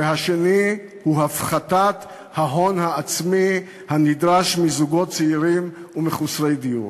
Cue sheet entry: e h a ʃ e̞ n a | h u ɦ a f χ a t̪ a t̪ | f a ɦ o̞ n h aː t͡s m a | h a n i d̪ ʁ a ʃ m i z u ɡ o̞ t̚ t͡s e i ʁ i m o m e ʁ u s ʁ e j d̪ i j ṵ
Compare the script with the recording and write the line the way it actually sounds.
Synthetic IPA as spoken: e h a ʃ e̞ n i | h u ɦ a f χ a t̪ a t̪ | h a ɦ o̞ n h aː t͡s m i | h a n i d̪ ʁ a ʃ m i z u ɡ o̞ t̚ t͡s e i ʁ i m u m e χ u s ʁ e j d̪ i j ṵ